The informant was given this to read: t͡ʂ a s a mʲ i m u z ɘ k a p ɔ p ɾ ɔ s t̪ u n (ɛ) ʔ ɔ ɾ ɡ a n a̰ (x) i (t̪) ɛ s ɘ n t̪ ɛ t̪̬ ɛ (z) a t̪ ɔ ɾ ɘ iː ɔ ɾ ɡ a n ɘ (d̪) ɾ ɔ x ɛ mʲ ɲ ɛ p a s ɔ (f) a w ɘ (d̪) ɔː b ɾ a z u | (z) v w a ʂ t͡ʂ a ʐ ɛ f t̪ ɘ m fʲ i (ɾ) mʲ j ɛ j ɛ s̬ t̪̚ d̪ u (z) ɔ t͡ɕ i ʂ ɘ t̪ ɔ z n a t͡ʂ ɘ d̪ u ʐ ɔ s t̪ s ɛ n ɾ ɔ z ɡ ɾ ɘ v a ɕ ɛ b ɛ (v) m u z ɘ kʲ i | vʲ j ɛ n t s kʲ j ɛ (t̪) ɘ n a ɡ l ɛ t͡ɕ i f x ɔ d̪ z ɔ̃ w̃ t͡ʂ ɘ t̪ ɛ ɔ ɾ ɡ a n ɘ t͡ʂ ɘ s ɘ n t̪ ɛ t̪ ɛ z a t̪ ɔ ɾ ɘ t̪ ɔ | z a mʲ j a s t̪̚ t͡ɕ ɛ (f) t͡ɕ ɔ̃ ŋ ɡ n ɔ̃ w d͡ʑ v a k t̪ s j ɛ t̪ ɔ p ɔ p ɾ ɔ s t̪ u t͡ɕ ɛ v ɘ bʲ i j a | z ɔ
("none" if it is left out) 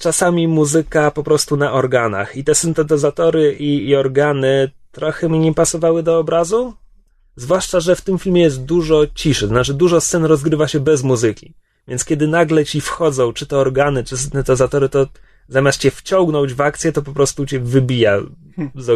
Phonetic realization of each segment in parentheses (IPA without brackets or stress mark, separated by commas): a, x, t̪, z, t̪, v, d̪, z, l, ʐ, z, d̪, f